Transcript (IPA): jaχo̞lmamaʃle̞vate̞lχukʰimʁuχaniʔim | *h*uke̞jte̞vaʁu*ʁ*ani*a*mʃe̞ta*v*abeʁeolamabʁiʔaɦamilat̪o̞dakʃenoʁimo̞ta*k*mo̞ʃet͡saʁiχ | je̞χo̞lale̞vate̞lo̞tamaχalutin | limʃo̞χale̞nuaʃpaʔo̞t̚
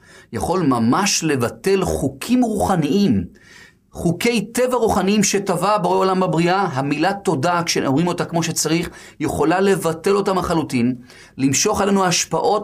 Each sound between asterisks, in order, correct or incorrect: incorrect: χ, incorrect: χ, incorrect: i, correct, correct

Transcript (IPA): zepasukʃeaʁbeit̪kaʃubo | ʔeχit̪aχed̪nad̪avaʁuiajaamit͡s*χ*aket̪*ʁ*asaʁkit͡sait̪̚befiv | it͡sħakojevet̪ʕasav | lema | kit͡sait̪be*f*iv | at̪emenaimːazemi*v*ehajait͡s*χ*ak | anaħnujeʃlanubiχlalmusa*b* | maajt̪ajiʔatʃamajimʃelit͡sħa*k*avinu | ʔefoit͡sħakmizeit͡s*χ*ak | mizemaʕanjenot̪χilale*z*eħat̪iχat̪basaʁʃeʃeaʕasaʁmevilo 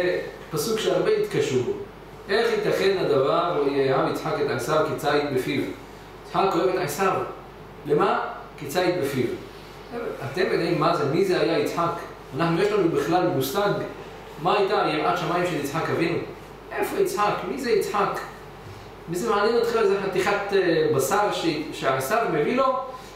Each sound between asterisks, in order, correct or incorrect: incorrect: ħ, incorrect: ʕ, correct, incorrect: z, incorrect: ħ, incorrect: ɡ, correct, incorrect: ħ, correct

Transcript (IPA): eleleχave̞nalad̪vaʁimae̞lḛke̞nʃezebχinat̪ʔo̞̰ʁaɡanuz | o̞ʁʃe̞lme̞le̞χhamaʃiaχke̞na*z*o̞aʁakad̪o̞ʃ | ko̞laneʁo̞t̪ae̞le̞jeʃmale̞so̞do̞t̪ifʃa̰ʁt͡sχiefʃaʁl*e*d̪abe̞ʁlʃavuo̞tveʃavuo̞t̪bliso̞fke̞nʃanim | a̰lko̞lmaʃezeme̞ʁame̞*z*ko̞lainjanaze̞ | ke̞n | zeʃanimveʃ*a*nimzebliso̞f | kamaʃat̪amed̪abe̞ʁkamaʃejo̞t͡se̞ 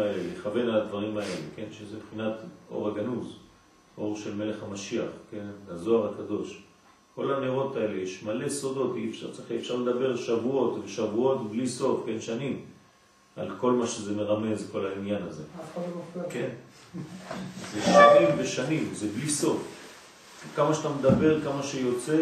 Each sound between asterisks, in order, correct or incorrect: correct, correct, correct, correct

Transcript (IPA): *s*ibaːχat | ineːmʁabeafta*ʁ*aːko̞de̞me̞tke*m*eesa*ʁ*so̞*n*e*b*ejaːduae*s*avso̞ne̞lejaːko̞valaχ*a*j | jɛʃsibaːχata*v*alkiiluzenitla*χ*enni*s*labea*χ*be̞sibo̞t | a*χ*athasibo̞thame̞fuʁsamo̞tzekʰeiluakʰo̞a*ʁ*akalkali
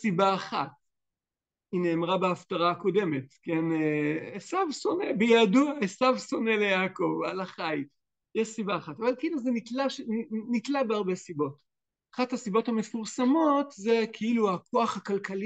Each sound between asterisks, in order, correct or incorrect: correct, correct, incorrect: n, incorrect: v, correct, correct, correct, correct, correct, incorrect: ʃ, incorrect: t, incorrect: ʁ, correct, incorrect: χ

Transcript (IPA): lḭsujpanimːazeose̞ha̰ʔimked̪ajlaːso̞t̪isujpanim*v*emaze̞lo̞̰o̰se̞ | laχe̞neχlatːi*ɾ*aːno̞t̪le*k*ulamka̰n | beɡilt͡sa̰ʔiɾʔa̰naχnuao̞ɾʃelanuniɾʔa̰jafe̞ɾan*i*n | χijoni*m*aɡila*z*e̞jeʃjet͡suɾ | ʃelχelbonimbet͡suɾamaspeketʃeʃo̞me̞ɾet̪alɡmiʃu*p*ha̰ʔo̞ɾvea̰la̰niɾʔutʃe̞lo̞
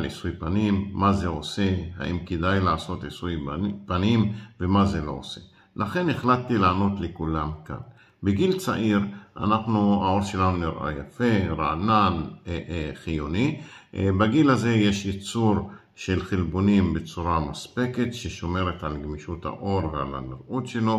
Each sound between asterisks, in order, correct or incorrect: correct, incorrect: l, correct, incorrect: a, incorrect: b, correct, incorrect: t

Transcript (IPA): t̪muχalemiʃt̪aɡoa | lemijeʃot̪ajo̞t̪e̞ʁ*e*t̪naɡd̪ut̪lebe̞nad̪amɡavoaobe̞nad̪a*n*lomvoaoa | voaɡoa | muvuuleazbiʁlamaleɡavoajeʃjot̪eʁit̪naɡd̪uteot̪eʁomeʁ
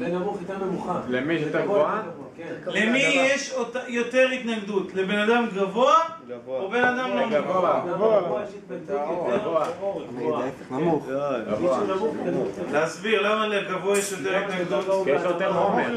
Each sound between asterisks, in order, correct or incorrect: incorrect: i, incorrect: m

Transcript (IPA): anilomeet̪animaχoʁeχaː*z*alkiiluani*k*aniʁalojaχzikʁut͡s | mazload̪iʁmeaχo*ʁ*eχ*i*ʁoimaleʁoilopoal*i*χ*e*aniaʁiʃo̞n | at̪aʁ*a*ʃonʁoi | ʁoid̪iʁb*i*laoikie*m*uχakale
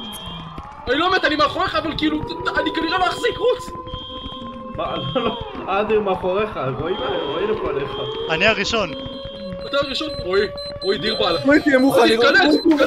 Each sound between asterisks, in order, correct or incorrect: incorrect: v, correct, correct, incorrect: a, incorrect: e, incorrect: a, incorrect: i, incorrect: a, correct

